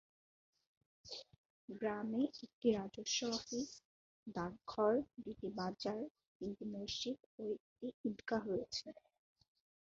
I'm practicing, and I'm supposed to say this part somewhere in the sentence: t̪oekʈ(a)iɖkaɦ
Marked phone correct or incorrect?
incorrect